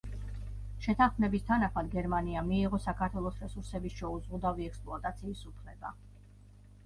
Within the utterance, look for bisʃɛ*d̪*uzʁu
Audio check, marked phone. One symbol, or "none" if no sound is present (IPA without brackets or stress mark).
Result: none